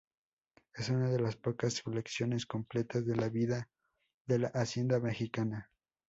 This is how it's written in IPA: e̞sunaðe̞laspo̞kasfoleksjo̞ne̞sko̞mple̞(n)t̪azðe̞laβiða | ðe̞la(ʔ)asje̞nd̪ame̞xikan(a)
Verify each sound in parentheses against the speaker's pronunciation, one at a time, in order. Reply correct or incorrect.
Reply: incorrect, correct, correct

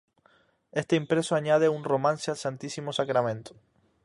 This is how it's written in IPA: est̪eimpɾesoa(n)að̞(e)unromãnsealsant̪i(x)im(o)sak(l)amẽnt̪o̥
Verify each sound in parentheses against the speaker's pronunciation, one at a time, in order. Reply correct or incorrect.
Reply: incorrect, correct, incorrect, correct, incorrect

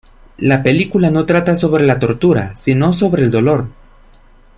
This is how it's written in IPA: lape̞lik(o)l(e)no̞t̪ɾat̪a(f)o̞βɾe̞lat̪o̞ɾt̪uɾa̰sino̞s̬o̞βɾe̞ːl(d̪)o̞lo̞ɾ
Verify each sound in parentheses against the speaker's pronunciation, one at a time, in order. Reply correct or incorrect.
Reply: incorrect, incorrect, incorrect, correct

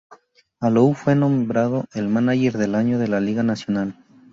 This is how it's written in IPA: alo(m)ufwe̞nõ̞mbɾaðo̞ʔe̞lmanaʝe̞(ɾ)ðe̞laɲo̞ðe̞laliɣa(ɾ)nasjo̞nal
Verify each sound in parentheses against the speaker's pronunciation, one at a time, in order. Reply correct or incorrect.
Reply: incorrect, correct, incorrect

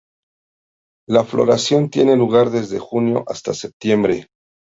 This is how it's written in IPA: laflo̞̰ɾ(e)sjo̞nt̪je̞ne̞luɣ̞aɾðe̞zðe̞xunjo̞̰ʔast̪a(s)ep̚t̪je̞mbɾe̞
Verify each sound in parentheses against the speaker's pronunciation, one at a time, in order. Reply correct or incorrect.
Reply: incorrect, correct

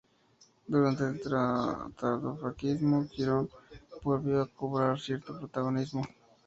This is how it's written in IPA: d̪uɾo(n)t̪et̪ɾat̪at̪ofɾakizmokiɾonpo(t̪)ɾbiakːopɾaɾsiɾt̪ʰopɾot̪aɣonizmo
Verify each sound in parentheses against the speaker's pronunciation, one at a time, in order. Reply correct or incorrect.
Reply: correct, incorrect

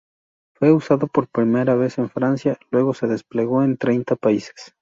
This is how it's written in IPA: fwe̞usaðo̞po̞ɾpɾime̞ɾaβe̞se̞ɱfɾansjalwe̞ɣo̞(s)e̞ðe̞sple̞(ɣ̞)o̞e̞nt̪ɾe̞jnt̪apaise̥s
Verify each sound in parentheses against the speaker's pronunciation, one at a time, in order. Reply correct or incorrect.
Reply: correct, correct

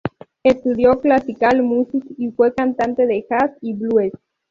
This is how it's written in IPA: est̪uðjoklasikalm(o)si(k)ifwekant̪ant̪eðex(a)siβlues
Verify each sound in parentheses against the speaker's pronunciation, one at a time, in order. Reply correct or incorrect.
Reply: incorrect, correct, correct

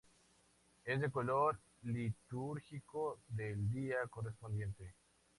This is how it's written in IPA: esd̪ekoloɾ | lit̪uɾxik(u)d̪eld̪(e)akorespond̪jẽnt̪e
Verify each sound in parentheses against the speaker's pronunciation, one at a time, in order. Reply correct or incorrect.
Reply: incorrect, incorrect

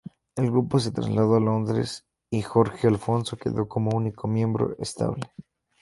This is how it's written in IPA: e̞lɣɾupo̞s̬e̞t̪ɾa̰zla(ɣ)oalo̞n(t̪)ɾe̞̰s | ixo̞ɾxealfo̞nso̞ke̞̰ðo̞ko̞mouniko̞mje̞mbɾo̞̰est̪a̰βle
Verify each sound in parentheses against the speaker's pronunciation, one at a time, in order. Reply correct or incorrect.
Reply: incorrect, incorrect

